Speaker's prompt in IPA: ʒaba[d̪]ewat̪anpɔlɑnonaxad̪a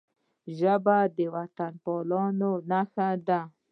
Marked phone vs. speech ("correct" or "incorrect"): correct